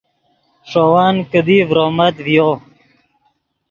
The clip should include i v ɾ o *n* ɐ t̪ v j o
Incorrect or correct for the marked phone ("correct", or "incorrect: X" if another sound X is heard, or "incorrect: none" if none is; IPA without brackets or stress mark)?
incorrect: m